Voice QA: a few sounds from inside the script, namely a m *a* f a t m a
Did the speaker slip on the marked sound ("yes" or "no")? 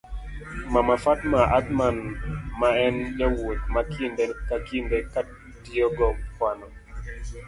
no